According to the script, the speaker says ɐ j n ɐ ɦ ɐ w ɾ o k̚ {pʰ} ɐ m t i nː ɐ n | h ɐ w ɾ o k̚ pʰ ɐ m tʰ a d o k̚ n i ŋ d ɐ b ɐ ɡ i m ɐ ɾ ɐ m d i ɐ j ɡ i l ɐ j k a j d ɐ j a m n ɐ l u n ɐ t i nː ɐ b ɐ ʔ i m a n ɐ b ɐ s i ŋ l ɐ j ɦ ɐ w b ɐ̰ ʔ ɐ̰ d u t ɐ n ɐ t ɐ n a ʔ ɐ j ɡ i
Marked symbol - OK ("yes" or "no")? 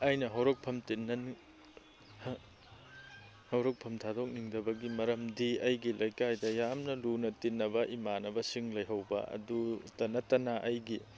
yes